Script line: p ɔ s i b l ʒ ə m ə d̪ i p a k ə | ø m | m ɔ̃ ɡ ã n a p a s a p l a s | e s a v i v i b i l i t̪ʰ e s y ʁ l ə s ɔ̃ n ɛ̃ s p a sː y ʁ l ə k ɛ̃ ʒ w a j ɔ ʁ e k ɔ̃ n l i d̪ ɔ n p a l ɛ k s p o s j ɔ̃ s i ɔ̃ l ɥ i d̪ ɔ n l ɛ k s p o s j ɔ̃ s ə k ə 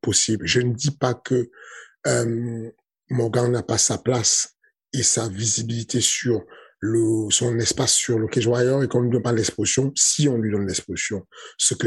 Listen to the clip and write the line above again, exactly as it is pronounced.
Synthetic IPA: p ɔ s i b l ʒ ə n ə d̪ i p a k ə | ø m | m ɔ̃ ɡ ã n a p a s a p l a s | e s a v i z i b i l i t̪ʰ e s y ʁ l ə s ɔ̃ n ɛ s p a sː y ʁ l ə k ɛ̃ ʒ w a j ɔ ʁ e k ɔ̃ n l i d̪ ɔ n p a l ɛ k s p o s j ɔ̃ s i ɔ̃ l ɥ i d̪ ɔ n l ɛ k s p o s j ɔ̃ s ə k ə